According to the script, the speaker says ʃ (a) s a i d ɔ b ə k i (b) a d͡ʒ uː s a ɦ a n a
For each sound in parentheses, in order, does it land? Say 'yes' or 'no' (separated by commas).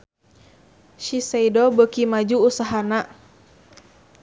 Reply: no, no